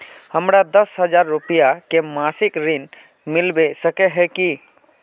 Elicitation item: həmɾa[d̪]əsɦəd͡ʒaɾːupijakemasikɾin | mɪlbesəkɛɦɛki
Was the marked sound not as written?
no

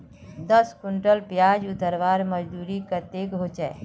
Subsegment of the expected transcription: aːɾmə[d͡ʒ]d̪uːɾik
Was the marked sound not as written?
no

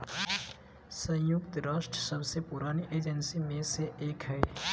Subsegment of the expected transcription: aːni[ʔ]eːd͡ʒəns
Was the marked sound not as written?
no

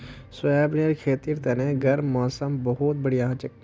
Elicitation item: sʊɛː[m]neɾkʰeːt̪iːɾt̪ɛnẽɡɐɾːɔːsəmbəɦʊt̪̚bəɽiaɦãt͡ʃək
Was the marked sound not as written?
yes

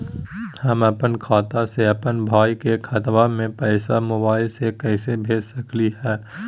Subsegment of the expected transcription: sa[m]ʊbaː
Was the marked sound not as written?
no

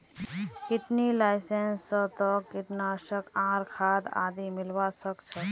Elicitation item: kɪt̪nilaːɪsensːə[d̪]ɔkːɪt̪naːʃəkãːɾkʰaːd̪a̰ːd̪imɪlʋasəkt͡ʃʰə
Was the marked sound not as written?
yes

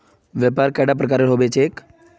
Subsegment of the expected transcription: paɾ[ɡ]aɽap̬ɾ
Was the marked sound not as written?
yes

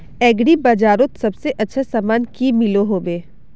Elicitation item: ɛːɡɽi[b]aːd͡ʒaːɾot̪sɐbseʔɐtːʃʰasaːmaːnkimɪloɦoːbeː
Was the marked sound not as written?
no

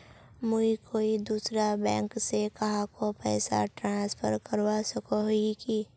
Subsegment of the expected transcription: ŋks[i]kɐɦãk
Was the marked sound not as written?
yes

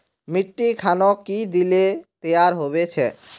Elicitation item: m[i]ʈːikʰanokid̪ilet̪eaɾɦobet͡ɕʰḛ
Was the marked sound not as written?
no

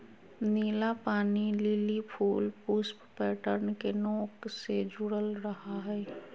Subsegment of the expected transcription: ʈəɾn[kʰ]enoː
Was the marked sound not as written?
yes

